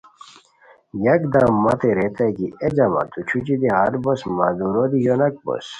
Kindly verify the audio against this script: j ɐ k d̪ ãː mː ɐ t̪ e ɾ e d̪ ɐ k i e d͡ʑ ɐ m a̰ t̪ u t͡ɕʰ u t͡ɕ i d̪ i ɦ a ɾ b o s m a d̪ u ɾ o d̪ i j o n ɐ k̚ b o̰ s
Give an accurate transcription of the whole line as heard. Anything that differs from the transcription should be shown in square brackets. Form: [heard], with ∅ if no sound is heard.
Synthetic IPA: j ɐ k d̪ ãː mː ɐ t̪ e ɾ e [t̪] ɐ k i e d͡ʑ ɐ m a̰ t̪ u t͡ɕʰ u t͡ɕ i d̪ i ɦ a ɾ b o s m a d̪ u ɾ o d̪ i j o n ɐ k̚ b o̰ s